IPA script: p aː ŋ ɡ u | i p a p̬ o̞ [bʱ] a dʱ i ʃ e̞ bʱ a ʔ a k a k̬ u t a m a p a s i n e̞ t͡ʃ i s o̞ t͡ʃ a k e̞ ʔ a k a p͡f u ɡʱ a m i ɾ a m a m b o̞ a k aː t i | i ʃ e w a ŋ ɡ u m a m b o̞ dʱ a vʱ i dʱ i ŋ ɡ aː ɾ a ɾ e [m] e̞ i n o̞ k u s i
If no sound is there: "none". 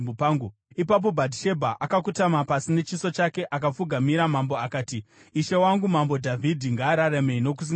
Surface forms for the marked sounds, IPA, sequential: bʱ, m

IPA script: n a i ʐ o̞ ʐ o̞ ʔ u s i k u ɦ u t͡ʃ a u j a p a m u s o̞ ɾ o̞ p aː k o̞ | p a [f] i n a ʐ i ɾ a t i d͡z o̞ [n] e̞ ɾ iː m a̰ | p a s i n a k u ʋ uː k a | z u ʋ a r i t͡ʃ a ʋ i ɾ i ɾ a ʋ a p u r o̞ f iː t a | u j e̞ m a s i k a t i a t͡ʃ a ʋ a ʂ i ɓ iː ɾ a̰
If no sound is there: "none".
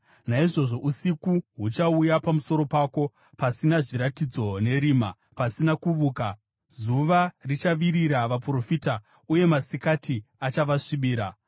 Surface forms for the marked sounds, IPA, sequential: s, n

